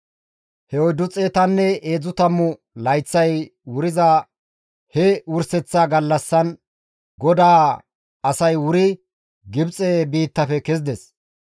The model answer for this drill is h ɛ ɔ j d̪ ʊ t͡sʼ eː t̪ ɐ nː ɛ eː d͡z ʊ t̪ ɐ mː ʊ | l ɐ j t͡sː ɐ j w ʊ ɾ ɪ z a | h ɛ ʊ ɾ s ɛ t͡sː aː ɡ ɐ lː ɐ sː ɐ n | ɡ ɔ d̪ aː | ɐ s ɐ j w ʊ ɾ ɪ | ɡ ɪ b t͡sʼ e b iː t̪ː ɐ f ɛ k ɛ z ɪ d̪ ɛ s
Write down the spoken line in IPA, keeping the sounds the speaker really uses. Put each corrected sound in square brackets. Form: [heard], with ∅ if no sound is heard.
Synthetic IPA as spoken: h ɛ ɔ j d̪ ʊ t͡sʼ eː t̪ ɐ nː ɛ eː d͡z ʊ t̪ ɐ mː ʊ | l ɐ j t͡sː ɐ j w ʊ ɾ ɪ z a | h ɛ ʊ ɾ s ɛ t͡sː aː ɡ ɐ lː ɐ sː ɐ n | ɡ ɔ d̪ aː | ɐ s ɐ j w ʊ ɾ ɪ | ɡ ɪ b t͡sʼ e b iː t̪ː ɐ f ɛ k ɛ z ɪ d̪ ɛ s